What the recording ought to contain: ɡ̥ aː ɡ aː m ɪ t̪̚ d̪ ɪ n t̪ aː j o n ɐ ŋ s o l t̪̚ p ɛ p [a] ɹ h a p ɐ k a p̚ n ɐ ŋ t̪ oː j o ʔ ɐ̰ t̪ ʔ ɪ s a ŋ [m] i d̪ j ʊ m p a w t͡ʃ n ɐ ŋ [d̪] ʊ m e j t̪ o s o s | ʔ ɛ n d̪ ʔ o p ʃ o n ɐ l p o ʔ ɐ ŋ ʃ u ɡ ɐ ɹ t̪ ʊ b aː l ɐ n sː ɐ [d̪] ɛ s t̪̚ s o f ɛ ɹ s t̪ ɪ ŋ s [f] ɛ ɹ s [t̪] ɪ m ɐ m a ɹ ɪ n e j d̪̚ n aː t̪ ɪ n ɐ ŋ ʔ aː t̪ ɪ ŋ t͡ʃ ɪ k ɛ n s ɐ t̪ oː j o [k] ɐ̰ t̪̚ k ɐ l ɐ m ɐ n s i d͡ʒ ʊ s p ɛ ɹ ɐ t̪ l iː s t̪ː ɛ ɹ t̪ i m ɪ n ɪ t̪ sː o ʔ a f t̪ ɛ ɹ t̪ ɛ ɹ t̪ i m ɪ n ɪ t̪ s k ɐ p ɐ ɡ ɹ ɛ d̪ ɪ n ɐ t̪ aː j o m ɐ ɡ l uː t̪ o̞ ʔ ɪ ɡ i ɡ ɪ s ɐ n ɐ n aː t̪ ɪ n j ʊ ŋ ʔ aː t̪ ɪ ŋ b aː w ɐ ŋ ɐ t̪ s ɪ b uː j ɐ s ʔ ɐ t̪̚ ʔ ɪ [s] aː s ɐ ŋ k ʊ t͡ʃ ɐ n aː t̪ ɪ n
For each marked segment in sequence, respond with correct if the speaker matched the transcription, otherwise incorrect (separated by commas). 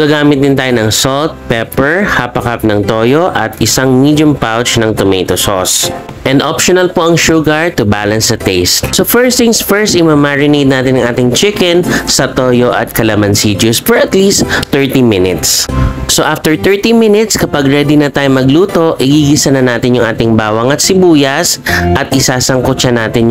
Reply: incorrect, correct, incorrect, incorrect, correct, correct, incorrect, correct